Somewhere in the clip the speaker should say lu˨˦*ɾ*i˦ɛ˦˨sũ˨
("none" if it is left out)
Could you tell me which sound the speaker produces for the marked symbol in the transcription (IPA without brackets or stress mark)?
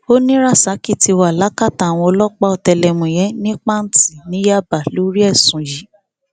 ɾ